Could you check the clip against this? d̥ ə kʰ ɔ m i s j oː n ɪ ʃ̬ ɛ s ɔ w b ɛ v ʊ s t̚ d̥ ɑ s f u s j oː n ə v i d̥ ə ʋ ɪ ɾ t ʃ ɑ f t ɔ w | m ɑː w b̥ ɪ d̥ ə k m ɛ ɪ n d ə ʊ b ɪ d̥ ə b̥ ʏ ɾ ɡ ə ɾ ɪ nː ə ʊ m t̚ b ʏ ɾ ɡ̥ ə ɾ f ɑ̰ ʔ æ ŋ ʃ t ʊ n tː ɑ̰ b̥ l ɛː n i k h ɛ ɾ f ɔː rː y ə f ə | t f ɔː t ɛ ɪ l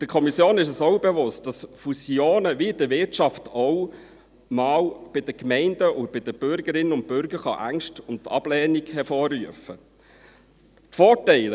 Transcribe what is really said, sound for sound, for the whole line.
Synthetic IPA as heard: d̥ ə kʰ ɔ m i s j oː n ɪ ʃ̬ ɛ s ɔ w b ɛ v ʊ s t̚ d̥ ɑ s f u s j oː n ə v i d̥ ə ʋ ɪ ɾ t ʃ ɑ f t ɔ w | m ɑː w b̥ ɪ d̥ ə k m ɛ ɪ n d ə ʊ b ɪ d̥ ə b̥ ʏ ɾ ɡ ə ɾ ɪ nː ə ʊ n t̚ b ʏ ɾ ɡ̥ ə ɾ χ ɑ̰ ʔ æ ŋ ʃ t ʊ n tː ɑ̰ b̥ l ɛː n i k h ɛ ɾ f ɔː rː y ə f ə | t f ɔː t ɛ ɪ l